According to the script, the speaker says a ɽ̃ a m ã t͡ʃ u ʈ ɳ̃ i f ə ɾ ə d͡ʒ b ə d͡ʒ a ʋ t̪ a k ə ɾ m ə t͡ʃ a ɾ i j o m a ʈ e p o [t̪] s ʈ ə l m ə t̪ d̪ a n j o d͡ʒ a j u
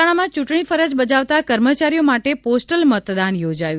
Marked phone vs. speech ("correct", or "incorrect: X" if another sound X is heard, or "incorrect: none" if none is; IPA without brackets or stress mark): incorrect: none